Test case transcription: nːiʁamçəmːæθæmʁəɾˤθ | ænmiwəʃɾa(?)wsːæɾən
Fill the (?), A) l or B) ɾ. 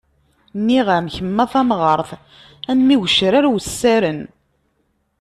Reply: B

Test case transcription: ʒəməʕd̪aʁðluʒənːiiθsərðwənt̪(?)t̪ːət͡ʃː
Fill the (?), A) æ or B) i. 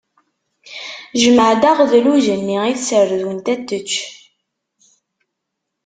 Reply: A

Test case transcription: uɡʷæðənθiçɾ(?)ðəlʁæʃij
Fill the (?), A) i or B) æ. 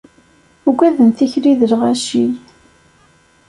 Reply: A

